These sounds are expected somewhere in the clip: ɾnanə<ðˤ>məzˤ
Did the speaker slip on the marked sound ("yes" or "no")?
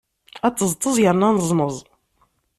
yes